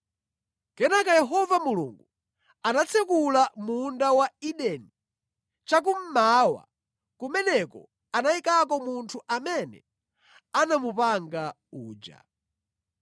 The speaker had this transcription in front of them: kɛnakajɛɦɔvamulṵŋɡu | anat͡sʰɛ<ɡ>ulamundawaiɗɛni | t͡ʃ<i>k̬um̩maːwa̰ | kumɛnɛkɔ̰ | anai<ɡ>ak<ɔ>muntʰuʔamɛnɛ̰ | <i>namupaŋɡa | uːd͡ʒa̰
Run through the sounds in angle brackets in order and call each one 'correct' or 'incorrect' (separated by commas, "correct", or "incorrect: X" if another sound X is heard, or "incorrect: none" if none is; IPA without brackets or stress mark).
incorrect: k, incorrect: a, incorrect: k, correct, incorrect: a